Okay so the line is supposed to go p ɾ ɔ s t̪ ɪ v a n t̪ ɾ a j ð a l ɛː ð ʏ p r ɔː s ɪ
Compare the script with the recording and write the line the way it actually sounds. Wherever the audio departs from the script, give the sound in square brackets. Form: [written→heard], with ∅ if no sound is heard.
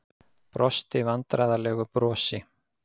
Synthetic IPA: p ɾ ɔ s t̪ ɪ v a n t̪ ɾ a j ð a l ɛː [ð→ɣ] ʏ p [r→ɾ] ɔː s ɪ